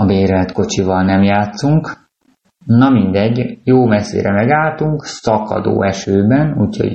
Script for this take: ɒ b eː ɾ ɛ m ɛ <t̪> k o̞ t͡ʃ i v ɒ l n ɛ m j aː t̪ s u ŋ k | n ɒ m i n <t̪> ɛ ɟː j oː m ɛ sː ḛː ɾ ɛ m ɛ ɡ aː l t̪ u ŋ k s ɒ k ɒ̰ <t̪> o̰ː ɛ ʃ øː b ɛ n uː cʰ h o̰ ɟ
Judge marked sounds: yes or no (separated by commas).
yes, no, no